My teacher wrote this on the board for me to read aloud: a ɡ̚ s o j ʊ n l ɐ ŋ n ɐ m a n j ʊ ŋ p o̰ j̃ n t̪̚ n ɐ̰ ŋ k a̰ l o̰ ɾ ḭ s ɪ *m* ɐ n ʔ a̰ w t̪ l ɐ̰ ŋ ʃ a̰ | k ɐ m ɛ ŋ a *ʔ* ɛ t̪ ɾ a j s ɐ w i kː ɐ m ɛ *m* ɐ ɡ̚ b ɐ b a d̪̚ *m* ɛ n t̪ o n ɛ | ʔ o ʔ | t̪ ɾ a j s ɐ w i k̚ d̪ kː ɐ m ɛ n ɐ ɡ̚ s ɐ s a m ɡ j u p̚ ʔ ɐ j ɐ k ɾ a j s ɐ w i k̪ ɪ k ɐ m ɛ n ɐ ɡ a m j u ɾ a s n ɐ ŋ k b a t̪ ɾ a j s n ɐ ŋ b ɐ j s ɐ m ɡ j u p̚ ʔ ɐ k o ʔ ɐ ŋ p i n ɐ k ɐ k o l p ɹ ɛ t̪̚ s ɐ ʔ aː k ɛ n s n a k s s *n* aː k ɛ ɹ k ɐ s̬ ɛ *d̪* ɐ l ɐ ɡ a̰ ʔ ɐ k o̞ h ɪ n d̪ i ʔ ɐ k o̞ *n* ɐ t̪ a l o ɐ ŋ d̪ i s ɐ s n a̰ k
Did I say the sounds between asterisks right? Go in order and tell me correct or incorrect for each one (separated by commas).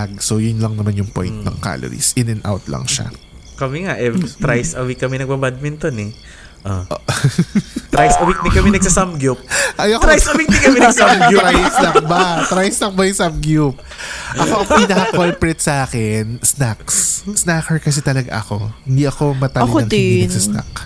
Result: incorrect, correct, incorrect, correct, correct, incorrect, incorrect